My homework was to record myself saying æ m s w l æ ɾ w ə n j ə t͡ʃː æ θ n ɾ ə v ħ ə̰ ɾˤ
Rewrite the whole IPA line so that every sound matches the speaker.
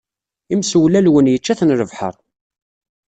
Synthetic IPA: i m s w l æ l w ə n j ə t͡ʃː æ θ n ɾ ə v ħ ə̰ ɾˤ